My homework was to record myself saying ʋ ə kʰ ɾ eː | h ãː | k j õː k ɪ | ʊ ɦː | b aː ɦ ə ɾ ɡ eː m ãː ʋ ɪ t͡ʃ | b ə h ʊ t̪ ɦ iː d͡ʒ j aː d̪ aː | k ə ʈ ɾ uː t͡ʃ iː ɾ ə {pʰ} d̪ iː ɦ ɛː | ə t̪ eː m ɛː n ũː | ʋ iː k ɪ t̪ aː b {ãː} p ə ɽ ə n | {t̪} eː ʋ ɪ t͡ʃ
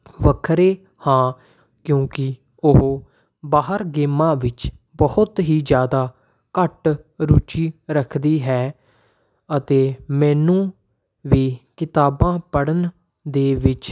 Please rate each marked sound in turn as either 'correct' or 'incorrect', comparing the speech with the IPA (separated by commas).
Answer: incorrect, correct, incorrect